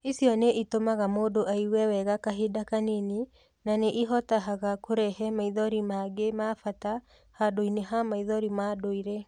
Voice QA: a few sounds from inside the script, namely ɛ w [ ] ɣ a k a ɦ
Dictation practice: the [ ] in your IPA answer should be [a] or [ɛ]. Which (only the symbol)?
ɛ